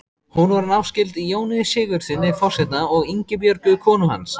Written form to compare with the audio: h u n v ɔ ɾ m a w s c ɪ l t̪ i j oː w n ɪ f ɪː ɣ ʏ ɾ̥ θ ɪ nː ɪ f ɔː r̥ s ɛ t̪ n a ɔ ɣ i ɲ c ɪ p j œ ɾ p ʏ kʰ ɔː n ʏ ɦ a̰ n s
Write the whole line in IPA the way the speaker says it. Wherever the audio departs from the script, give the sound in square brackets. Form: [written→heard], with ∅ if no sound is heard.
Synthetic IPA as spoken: h u n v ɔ ɾ [m→n] a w s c ɪ l t̪ i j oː w n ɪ [f→s] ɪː ɣ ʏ ɾ̥ θ ɪ nː ɪ f [ɔː→ɔ] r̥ s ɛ t̪ n a ɔ ɣ i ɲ c ɪ p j œ ɾ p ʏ kʰ ɔː n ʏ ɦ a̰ n s